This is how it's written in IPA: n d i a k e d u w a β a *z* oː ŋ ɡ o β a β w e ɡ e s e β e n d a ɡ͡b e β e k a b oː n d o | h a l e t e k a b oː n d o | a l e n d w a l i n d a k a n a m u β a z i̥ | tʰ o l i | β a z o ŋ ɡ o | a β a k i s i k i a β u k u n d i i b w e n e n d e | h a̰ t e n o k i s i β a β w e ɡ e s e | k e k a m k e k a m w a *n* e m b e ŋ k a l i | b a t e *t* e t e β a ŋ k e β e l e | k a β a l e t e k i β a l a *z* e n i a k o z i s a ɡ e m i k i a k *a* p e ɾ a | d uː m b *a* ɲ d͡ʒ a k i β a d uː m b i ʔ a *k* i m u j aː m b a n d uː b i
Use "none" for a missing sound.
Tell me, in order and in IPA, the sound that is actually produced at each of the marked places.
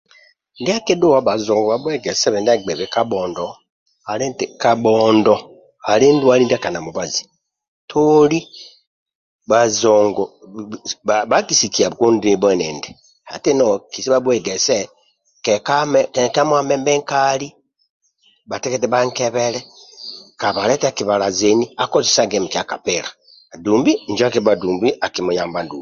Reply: z, m, k, z, a, i, k

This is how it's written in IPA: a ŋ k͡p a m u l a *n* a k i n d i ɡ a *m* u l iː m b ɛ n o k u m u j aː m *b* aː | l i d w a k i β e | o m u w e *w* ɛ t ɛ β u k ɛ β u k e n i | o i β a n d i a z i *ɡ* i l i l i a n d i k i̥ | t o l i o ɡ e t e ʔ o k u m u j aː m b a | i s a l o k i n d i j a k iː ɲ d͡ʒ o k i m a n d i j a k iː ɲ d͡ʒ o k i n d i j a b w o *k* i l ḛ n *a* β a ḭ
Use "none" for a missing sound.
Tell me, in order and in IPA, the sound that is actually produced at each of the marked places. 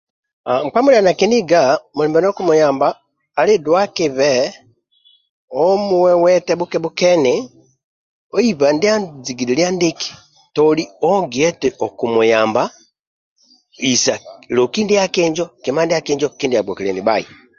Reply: n, m, b, w, ɡ, k, i

